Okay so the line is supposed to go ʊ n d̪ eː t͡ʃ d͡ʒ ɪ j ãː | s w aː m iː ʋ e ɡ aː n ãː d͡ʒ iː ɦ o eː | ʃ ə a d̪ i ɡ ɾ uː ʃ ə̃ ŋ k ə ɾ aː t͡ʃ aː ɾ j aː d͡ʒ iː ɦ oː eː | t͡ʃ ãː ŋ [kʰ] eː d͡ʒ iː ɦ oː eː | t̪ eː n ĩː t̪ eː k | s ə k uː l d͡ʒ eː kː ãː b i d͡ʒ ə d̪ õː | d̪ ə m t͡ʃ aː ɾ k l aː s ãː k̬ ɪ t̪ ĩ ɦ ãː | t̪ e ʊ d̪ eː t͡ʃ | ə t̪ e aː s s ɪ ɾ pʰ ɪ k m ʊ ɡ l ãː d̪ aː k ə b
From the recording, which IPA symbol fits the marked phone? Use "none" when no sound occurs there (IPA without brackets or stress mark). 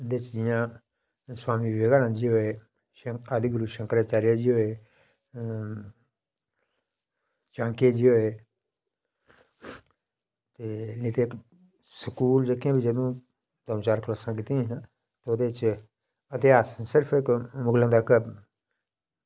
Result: k